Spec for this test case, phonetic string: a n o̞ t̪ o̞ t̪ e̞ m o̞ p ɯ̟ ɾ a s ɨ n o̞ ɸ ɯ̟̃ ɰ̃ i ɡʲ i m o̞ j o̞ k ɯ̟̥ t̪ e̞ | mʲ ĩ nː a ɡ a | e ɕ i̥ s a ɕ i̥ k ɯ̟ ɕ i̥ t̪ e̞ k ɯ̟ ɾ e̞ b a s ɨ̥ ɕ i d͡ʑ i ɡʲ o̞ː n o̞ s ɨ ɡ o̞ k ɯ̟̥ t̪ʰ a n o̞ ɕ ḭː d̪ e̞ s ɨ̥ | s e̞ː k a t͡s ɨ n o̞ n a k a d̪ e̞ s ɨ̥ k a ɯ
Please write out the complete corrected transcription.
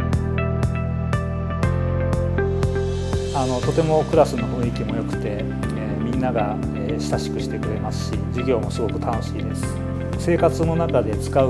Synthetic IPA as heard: a n o̞ t̪ o̞ t̪ e̞ m o̞ k ɯ̟ ɾ a s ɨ n o̞ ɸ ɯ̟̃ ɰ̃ i kʲ i m o̞ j o̞ k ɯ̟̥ t̪ e̞ | mʲ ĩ nː a ɡ a | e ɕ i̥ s a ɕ i̥ k ɯ̟ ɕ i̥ t̪ e̞ k ɯ̟ ɾ e̞ m a s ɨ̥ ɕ i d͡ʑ i ɡʲ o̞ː m o̞ s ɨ ɡ o̞ k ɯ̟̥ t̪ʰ a n o̞ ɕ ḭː d̪ e̞ s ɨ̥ | s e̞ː k a t͡s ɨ n o̞ n a k a d̪ e̞ t͡s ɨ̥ k a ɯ